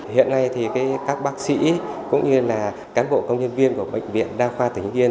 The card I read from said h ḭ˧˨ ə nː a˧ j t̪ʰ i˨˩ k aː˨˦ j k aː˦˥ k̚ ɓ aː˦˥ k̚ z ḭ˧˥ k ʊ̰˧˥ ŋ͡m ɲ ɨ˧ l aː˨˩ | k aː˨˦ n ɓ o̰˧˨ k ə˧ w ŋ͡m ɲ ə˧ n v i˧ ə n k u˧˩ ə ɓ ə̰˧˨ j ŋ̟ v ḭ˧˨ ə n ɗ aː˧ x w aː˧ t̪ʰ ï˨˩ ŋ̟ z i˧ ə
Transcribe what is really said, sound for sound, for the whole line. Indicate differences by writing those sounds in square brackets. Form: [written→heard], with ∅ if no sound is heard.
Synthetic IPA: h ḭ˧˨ ə nː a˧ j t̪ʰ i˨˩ k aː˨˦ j k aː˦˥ k̚ ɓ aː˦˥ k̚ [z→s] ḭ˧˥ k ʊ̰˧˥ ŋ͡m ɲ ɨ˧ l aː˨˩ | k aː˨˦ n ɓ o̰˧˨ k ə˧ w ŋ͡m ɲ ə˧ n v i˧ ə n k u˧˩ ə ɓ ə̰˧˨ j ŋ̟ v ḭ˧˨ ə n ɗ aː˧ x w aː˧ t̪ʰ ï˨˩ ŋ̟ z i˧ ə